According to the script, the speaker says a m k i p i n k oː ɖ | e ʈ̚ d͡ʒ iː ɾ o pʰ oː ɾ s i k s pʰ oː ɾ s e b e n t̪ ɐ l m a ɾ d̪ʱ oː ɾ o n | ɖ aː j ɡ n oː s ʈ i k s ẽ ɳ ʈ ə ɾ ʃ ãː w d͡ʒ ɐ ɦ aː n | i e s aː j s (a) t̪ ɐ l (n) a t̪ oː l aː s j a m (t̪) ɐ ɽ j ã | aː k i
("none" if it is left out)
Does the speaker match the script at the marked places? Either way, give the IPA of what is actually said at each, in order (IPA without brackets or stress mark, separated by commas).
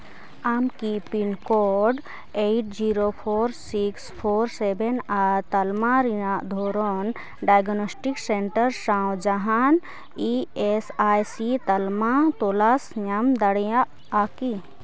i, m, d̪